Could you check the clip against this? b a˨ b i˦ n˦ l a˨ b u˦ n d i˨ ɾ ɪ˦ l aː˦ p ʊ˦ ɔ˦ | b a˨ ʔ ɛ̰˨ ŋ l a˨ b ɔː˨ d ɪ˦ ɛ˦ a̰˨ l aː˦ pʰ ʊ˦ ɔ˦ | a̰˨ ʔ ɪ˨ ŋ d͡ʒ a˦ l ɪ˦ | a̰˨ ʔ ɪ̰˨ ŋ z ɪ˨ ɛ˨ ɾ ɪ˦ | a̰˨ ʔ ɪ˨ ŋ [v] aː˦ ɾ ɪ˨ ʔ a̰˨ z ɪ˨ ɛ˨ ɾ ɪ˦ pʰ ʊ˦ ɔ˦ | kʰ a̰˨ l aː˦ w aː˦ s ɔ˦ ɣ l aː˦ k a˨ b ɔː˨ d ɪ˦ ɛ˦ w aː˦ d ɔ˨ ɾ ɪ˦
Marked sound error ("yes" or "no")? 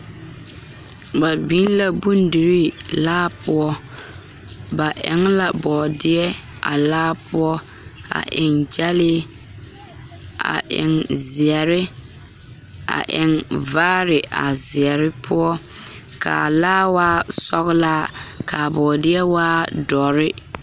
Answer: no